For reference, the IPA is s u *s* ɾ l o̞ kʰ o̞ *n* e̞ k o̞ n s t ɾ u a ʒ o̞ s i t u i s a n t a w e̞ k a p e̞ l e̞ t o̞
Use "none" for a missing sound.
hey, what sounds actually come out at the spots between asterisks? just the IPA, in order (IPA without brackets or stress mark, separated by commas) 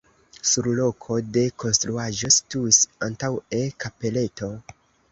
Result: none, d